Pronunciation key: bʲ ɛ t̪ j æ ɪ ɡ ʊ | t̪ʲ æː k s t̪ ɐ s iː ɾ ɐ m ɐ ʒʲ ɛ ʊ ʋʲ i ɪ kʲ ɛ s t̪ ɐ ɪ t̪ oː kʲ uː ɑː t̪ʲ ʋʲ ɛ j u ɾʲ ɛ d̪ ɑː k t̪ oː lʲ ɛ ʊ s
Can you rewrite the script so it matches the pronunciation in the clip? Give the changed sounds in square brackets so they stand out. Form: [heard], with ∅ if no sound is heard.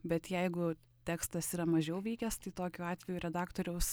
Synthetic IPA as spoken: bʲ ɛ t̪ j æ ɪ ɡ ʊ | t̪ʲ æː k s t̪ ɐ s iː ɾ ɐ m ɐ ʒʲ ɛ ʊ ʋʲ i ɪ kʲ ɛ s t̪ ɐ ɪ t̪ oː kʲ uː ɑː t̪ʲ ʋʲ ɛ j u ɾʲ ɛ d̪ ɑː k t̪ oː [ɾʲ] ɛ ʊ s